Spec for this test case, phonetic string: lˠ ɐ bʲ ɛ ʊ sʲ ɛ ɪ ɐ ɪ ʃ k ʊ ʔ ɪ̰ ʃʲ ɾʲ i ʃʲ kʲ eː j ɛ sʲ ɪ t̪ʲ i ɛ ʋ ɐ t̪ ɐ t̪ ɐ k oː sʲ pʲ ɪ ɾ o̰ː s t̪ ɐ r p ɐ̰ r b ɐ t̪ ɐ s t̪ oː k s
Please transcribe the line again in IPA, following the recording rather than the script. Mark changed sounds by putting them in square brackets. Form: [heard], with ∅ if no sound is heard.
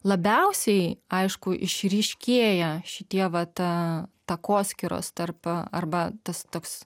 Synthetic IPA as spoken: lˠ ɐ bʲ ɛ ʊ sʲ ɛ ɪ ɐ ɪ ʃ k ʊ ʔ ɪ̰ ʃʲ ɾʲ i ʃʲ kʲ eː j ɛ [ʃʲ] ɪ t̪ʲ i ɛ ʋ ɐ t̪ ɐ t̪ ɐ k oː sʲ [kʲ] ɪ ɾ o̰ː s t̪ ɐ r p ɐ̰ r b ɐ t̪ ɐ s t̪ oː k s